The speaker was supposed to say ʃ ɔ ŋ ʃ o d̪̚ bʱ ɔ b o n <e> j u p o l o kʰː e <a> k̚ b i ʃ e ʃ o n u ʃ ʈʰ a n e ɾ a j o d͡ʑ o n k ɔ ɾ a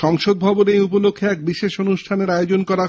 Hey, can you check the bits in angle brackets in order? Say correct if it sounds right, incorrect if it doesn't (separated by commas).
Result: correct, incorrect